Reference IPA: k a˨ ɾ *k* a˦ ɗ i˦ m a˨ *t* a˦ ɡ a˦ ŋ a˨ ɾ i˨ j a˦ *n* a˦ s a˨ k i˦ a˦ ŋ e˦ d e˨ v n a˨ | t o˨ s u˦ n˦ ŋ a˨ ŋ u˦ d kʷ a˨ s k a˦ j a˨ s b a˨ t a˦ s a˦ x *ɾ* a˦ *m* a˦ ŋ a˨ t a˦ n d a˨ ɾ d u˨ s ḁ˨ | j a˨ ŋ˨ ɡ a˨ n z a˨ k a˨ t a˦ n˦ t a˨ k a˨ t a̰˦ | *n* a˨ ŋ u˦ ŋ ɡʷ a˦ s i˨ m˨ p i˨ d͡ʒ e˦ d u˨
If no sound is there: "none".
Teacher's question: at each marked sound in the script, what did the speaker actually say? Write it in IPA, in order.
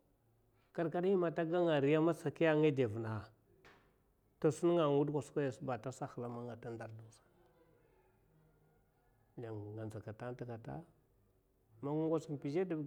k, t, m, l, m, m

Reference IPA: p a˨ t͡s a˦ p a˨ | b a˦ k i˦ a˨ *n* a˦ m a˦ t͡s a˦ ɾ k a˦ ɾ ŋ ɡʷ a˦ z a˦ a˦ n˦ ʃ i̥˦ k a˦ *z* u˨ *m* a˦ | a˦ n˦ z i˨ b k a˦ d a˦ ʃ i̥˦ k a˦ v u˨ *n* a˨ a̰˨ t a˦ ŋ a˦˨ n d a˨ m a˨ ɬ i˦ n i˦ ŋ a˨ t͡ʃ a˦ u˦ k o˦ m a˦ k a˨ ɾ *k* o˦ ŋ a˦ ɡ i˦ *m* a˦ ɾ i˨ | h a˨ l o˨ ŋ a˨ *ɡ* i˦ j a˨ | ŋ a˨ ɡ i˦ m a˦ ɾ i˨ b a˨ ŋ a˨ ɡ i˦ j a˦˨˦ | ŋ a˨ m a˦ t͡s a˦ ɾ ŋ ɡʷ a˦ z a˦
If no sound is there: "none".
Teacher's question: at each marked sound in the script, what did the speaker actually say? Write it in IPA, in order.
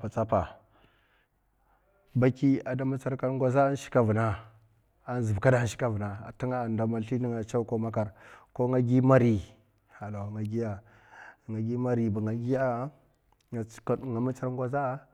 d, v, n, n, k, m, ɡ

